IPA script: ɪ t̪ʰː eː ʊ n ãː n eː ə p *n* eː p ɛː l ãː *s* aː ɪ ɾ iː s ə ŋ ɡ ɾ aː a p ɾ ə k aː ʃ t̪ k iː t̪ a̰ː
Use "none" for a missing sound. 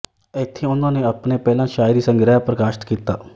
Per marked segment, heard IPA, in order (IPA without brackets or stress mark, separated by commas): n, ʃ